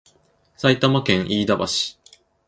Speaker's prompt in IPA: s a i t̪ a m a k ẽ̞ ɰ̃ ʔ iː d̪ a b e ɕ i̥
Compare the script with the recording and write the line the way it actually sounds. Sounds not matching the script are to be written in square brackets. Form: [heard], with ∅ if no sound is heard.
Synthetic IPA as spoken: s a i t̪ a m a k ẽ̞ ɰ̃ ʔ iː d̪ a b [a] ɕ i̥